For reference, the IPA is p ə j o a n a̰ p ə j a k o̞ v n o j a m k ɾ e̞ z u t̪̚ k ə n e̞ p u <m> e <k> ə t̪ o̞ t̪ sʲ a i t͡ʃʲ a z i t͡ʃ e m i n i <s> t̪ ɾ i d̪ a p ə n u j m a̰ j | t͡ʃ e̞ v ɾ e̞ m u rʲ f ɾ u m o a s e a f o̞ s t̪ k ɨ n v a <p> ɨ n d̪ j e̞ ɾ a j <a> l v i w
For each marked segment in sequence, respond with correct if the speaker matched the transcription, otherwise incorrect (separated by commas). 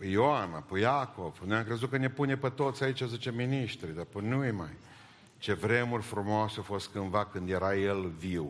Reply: incorrect, incorrect, incorrect, incorrect, incorrect